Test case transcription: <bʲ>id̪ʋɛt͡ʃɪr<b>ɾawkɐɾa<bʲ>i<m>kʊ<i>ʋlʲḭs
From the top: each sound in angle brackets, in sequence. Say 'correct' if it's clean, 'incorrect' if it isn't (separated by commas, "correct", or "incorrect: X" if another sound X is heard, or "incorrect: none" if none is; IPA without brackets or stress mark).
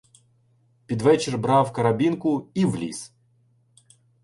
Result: incorrect: pʲ, correct, correct, incorrect: n, correct